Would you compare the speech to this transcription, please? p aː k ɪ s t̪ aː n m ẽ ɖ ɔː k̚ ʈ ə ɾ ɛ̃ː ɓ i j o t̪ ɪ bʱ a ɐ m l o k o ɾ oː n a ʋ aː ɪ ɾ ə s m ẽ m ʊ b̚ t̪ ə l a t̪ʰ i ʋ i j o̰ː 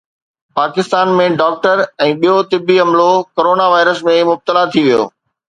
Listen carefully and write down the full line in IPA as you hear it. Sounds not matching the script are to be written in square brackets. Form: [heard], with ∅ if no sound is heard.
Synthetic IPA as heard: p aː k ɪ s t̪ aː n m ẽ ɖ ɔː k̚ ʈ ə ɾ ɛ̃ː ɓ i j o t̪ ɪ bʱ [i] ɐ m l o k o ɾ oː n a ʋ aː ɪ ɾ ə s m ẽ m ʊ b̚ t̪ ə l a t̪ʰ i ʋ i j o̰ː

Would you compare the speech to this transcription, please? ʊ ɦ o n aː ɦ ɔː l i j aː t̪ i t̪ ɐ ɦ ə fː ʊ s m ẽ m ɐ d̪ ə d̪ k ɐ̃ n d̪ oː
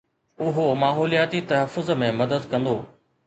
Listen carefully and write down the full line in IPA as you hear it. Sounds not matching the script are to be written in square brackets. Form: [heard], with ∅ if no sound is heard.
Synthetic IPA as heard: ʊ ɦ o [m] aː ɦ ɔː l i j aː t̪ i t̪ ɐ ɦ ə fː ʊ [z] m ẽ m ɐ d̪ ə d̪ k ɐ̃ n d̪ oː

